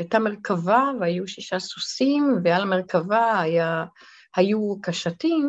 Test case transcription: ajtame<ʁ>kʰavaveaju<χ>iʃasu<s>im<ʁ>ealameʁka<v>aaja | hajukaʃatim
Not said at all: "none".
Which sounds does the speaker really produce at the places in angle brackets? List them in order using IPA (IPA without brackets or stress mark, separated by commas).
ʁ, ʃ, s, v, v